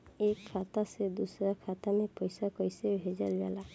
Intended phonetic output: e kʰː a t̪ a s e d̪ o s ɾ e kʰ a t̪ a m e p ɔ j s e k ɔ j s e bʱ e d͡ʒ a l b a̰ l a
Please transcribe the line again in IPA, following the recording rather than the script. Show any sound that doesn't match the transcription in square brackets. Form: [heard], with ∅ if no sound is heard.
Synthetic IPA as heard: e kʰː a t̪ a s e d̪ [u] s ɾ [a] kʰ a t̪ a m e p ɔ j s [a] k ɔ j s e bʱ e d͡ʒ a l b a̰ l a